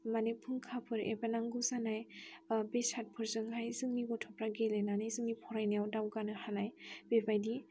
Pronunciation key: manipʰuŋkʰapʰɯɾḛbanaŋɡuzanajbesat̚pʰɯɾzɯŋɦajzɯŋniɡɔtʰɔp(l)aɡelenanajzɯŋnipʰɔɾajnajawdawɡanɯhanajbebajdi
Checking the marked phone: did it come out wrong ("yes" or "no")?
yes